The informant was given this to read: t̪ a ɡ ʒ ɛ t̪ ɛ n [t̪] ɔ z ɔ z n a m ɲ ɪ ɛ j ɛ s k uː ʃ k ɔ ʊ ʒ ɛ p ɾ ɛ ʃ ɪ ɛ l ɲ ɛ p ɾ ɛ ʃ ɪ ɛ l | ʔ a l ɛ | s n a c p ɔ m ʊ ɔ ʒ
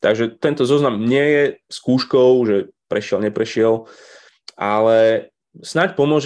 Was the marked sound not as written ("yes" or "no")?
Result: no